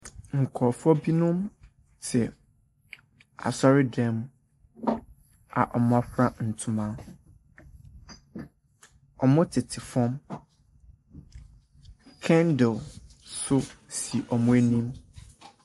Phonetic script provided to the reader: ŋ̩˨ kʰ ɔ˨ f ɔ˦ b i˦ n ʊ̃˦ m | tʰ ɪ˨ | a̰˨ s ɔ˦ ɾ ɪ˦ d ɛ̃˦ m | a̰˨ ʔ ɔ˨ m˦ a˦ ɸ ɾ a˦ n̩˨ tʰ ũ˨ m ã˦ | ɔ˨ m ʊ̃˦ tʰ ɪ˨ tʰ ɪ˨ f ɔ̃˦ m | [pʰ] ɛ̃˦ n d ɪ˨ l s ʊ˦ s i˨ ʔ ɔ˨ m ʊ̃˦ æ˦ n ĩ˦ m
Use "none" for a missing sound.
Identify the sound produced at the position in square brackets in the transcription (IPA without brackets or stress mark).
kʰ